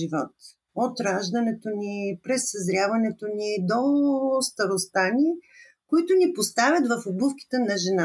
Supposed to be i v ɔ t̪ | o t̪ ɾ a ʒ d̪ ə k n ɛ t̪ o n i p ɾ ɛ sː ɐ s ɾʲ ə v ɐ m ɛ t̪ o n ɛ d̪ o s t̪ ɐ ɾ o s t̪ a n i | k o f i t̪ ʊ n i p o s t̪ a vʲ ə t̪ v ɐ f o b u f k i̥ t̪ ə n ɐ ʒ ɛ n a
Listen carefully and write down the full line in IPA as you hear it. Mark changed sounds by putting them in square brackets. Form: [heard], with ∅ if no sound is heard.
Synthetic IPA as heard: i v ɔ t̪ | o t̪ ɾ a ʒ d̪ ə [∅] n ɛ t̪ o n i p ɾ ɛ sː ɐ [z] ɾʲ [a] v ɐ [n] ɛ t̪ o n [i] d̪ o s t̪ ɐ ɾ o s t̪ a n i | k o [∅] i t̪ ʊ n i p o s t̪ a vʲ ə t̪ v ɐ f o b u f k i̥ t̪ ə n ɐ ʒ ɛ n a